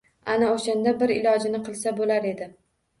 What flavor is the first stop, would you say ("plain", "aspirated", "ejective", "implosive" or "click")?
plain